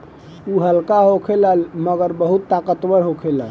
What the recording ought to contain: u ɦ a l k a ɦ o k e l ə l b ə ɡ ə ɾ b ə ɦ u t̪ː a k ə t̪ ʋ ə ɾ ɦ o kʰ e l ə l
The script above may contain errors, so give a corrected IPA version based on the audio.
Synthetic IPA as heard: u ɦ ə l k a ɦ o kʰ e l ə l m ə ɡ ə ɾ b ə ɦ u t̪ː a k ə t̪ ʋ ə ɾ ɦ o kʰ e l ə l